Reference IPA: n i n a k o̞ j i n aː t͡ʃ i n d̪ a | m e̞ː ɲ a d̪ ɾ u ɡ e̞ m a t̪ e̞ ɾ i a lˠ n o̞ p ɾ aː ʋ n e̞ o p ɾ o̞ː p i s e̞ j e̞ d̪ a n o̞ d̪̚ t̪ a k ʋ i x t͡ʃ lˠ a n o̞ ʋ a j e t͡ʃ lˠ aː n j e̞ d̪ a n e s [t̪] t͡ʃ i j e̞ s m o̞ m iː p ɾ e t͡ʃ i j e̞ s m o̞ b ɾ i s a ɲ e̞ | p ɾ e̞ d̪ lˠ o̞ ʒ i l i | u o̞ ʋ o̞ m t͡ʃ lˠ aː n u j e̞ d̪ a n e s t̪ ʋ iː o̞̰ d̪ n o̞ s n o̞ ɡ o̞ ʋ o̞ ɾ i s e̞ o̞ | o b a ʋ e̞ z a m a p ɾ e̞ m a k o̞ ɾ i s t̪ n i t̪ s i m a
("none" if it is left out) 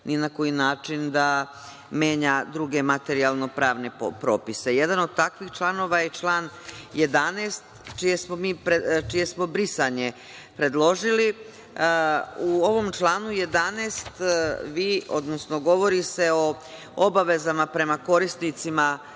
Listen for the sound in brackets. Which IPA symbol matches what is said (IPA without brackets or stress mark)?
t̪